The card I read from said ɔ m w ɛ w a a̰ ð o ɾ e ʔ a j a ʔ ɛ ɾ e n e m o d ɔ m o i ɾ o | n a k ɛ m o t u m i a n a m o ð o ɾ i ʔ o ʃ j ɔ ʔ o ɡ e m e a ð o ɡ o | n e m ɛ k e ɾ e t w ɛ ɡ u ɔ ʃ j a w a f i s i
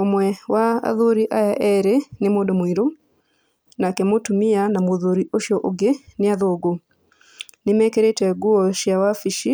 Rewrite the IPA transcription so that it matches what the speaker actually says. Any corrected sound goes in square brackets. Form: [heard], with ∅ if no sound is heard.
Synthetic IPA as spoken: [o] m w ɛ w a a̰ ð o ɾ [i] ʔ a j a ʔ ɛ ɾ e n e m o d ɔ m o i ɾ o | n a k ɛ m o t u m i a n a m o ð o ɾ i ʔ o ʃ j ɔ ʔ o ɡ e [n] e a ð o ɡ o | n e m ɛ k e ɾ e t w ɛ ɡ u ɔ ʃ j a w a f i [ʃ] i